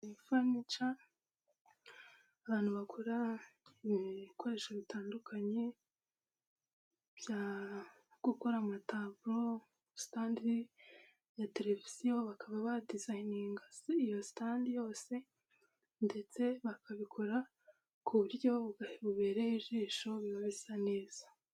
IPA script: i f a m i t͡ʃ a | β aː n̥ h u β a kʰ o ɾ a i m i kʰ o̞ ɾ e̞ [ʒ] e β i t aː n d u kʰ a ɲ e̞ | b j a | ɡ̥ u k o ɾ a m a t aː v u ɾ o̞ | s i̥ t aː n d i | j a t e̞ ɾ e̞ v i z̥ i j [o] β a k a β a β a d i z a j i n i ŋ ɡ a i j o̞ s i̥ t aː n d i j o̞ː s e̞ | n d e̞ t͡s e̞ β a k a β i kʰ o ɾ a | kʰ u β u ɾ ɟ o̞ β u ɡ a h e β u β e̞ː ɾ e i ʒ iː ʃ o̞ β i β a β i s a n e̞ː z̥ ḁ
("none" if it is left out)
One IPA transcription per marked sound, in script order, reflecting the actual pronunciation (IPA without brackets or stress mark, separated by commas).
ʃ, o